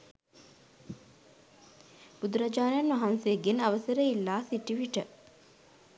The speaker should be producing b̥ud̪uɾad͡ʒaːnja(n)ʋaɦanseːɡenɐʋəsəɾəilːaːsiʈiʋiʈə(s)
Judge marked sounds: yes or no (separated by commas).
yes, no